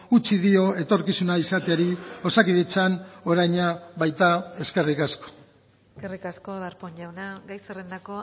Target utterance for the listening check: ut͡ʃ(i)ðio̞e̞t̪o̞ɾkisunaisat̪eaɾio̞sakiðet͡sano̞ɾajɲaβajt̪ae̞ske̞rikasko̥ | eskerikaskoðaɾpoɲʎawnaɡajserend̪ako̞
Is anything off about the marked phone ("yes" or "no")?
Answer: no